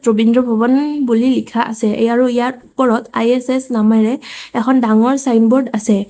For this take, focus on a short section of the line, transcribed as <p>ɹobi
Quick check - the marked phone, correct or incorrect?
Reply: incorrect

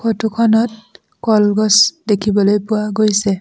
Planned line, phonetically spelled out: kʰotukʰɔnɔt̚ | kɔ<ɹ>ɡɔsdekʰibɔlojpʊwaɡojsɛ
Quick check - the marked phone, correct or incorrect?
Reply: incorrect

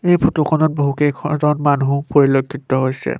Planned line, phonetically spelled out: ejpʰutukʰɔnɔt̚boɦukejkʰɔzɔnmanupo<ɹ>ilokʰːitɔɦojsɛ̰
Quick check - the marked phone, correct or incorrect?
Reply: correct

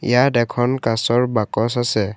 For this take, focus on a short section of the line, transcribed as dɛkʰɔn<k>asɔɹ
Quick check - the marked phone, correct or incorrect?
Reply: correct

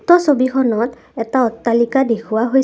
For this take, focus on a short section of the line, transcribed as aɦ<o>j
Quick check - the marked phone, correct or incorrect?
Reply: correct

